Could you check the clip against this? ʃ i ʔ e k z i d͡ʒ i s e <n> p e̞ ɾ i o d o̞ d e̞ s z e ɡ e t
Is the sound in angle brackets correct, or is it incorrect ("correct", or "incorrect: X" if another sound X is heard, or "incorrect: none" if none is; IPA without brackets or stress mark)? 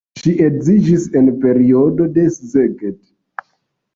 correct